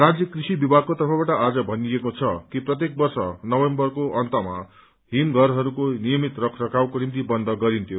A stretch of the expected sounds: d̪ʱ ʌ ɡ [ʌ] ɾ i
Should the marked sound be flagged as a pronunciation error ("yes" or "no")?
no